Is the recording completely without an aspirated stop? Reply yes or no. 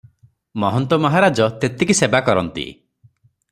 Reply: yes